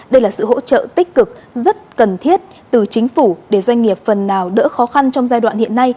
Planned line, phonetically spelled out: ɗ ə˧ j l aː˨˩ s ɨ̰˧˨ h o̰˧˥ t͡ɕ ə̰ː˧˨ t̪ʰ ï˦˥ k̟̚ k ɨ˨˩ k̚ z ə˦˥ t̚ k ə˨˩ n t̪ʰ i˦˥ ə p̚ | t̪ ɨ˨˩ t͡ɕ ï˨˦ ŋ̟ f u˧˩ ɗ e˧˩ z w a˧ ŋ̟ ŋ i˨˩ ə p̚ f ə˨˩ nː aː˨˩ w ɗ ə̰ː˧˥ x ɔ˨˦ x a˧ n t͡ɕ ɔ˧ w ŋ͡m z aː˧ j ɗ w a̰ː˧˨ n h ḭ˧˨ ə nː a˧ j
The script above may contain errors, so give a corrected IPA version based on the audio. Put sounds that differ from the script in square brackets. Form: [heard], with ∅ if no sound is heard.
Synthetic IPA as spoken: ɗ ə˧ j l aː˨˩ s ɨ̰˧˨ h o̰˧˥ t͡ɕ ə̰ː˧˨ [t̪] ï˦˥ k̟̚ k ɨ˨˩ k̚ z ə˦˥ t̚ k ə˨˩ n t̪ʰ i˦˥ ə [t̚] | t̪ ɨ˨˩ t͡ɕ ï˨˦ ŋ̟ f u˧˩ ɗ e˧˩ z w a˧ ŋ̟ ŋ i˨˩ ə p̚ f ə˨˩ nː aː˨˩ w ɗ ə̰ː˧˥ x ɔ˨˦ x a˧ n t͡ɕ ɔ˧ w ŋ͡m z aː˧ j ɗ w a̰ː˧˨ n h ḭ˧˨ ə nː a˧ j